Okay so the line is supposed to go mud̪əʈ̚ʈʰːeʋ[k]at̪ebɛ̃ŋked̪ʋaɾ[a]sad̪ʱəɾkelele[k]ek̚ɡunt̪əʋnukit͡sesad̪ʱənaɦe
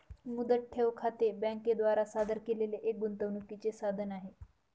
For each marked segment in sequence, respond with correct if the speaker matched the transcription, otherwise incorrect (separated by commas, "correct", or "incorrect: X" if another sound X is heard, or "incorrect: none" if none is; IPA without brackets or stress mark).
incorrect: kʰ, correct, incorrect: ʔ